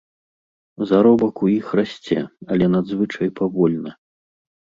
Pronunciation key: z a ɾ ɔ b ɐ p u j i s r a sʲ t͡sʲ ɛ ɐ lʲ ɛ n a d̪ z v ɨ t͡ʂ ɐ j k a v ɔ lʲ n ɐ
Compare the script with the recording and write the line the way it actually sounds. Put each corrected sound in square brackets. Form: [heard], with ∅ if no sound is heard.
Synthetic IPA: z a ɾ ɔ b ɐ [k] u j i [x] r a sʲ t͡sʲ ɛ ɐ lʲ ɛ n a d̪ z v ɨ t͡ʂ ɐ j [p] a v ɔ lʲ n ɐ